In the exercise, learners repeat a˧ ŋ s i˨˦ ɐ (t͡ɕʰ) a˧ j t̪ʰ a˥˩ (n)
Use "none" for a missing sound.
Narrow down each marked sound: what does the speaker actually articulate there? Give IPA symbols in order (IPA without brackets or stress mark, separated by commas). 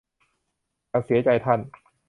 t͡ɕ, n